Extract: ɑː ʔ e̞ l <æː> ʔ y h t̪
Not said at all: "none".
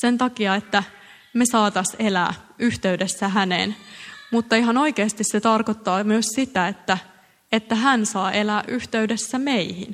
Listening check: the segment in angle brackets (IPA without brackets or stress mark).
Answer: æː